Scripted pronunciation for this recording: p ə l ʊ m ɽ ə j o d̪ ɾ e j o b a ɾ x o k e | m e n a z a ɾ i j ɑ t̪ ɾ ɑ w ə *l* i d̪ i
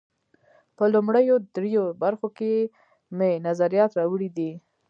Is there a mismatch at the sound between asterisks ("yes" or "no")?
yes